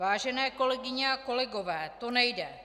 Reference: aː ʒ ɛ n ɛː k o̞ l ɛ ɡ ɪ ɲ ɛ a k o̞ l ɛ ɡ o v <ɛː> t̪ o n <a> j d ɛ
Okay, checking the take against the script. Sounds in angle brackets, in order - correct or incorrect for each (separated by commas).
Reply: correct, incorrect